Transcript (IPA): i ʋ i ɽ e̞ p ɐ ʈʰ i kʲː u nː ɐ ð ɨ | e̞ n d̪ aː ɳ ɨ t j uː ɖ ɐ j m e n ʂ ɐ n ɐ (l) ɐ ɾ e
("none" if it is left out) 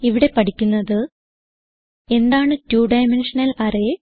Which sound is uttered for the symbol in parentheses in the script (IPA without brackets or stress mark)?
l